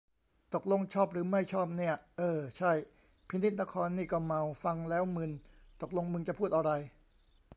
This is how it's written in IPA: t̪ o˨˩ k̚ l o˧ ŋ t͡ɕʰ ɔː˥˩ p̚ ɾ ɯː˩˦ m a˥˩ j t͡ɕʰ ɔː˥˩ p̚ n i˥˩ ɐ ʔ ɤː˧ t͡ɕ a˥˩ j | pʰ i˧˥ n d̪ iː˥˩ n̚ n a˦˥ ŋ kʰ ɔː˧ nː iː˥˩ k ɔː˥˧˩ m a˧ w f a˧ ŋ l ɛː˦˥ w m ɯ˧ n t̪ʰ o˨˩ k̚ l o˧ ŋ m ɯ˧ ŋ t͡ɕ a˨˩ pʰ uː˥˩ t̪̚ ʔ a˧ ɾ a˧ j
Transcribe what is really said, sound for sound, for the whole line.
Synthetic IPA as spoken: t̪ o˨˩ k̚ l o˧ ŋ t͡ɕʰ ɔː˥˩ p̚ ɾ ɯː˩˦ m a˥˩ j t͡ɕʰ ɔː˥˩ p̚ n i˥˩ ɐ ʔ ɤː˧ t͡ɕʰ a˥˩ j | pʰ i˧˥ n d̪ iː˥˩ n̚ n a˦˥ kʰ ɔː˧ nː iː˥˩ k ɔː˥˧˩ m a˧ w f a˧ ŋ l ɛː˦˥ w m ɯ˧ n t̪ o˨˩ k̚ l o˧ ŋ m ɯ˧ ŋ t͡ɕ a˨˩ pʰ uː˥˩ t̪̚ ʔ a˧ ɾ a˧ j